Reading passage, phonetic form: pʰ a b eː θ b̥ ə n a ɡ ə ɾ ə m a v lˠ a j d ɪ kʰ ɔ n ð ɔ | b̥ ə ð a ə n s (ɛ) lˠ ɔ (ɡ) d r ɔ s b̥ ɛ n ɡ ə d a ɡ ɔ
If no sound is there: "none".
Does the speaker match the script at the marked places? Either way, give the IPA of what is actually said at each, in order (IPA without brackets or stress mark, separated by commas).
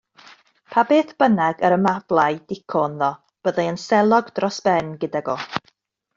ɛ, ɡ